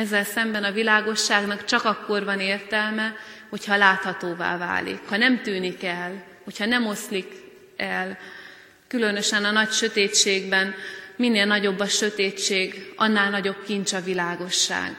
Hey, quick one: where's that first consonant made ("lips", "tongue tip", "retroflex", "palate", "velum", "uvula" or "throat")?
tongue tip